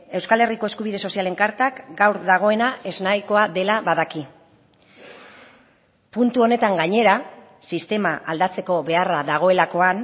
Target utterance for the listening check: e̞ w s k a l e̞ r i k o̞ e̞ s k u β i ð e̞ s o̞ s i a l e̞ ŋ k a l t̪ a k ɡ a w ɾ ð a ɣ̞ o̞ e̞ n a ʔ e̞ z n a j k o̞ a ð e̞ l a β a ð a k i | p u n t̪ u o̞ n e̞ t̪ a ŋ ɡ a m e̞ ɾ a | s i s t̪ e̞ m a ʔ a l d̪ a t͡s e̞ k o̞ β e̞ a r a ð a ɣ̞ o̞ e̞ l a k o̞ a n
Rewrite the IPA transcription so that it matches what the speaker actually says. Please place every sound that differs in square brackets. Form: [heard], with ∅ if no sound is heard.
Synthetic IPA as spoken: e̞ w s k a l e̞ r i k o̞ e̞ s k u β i ð e̞ s o̞ s i a l e̞ ŋ k a [ɾ] t̪ a k ɡ a w ɾ ð a ɣ̞ o̞ e̞ n a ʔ e̞ z n a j k o̞ a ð e̞ l a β a ð a k i | p u n t̪ u o̞ n e̞ t̪ a ŋ ɡ a [ɲ] e̞ ɾ a | s i s t̪ e̞ m a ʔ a l d̪ a t͡s e̞ k o̞ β e̞ a r a ð a ɣ̞ o̞ e̞ l a k o̞ a n